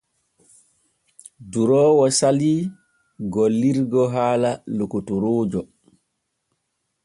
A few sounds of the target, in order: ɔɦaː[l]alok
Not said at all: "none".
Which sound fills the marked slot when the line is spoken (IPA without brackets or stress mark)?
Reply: l